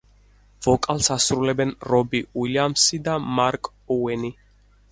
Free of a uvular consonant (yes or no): yes